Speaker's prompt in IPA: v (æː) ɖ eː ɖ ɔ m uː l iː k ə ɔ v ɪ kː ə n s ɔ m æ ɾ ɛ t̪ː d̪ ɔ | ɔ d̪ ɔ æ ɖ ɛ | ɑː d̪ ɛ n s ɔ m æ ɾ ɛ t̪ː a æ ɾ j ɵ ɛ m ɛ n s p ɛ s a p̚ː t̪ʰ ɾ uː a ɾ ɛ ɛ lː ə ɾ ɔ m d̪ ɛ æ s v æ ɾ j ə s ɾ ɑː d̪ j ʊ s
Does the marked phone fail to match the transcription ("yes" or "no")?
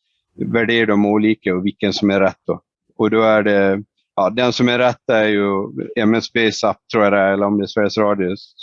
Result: yes